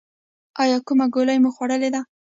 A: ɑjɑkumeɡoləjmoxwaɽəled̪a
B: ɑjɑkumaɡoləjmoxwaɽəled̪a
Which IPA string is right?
B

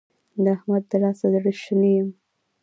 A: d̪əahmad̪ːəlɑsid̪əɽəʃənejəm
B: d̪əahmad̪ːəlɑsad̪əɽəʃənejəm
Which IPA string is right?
B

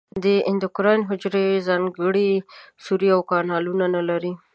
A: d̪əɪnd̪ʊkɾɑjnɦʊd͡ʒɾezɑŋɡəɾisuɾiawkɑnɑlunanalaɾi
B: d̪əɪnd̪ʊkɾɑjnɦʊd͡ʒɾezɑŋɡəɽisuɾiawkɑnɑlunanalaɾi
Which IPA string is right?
B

